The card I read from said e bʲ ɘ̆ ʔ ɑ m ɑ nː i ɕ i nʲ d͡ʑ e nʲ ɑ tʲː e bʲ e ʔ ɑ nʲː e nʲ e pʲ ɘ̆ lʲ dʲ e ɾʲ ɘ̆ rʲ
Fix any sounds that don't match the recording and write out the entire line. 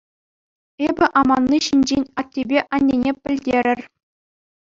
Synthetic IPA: e bʲ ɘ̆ ʔ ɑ m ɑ nː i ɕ i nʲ d͡ʑ e nʲ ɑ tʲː e bʲ e ʔ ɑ nʲː e nʲ e pʲ ɘ̆ lʲ dʲ e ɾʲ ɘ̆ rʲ